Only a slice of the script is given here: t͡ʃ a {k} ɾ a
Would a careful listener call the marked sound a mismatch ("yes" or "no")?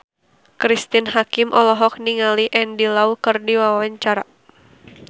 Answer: yes